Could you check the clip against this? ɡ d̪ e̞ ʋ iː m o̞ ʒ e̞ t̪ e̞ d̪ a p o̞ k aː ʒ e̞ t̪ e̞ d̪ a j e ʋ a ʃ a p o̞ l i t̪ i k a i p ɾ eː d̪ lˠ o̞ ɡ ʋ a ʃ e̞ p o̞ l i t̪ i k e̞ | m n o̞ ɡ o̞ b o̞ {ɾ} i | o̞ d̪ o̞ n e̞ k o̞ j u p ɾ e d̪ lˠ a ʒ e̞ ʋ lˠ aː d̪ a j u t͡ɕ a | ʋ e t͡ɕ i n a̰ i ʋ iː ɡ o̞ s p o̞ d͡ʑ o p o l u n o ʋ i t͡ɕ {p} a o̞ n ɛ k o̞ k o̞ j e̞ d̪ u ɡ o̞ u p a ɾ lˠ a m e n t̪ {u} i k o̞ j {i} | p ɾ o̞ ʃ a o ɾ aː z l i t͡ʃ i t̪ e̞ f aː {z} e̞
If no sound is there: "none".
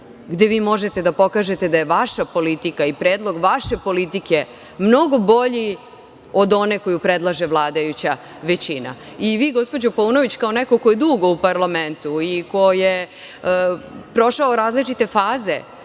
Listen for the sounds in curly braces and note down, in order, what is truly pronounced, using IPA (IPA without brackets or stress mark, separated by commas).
ʎ, k, u, e, z